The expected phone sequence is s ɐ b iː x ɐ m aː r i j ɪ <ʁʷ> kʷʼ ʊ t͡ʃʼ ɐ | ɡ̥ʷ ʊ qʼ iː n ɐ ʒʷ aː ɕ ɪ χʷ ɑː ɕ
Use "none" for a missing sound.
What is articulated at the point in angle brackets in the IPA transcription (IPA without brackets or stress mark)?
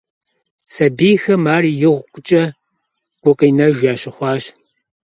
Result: ʁʷ